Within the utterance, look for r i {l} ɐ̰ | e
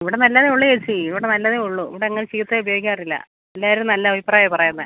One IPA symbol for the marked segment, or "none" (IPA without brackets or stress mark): lː